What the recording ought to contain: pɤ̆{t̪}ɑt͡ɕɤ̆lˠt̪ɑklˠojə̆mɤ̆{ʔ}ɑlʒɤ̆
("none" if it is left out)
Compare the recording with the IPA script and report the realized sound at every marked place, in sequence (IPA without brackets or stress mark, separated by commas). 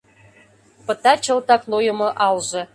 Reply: t̪, ʔ